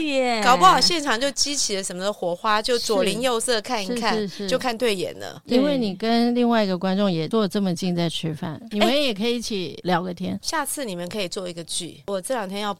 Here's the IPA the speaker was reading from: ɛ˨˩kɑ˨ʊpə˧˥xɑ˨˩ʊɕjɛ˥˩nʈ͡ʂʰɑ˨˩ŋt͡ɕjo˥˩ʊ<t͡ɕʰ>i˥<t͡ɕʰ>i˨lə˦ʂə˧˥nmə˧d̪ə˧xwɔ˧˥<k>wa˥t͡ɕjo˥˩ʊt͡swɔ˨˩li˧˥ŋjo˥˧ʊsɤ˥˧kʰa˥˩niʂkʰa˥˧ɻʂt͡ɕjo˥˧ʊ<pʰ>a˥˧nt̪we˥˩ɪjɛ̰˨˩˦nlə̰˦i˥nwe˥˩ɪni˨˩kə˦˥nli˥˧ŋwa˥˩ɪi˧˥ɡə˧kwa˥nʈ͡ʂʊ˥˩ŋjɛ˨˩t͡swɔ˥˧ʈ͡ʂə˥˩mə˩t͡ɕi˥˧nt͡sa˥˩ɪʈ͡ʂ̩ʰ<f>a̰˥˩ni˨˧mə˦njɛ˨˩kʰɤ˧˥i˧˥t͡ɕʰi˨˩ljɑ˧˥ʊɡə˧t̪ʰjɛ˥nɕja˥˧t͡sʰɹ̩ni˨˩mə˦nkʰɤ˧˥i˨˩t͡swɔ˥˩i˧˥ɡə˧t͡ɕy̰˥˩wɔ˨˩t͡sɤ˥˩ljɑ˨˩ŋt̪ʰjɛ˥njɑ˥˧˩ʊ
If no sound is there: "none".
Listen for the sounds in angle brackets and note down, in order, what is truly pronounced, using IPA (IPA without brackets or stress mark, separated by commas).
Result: t͡ɕ, t͡ɕʰ, x, kʰ, f